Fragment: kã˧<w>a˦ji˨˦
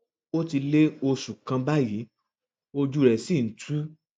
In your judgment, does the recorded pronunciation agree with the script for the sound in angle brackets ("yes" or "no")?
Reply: no